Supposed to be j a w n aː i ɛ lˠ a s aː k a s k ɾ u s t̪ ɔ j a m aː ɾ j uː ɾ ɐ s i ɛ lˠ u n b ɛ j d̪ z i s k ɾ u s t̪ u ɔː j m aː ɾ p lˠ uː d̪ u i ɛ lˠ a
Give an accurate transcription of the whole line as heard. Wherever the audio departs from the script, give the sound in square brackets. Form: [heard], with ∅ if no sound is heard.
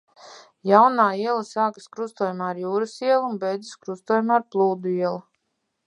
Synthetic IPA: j a w n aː i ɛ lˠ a s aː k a s k ɾ u s t̪ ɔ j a m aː ɾ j uː ɾ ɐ s i ɛ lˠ u n b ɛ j d̪ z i s k ɾ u s t̪ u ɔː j m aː ɾ p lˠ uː d̪ u i ɛ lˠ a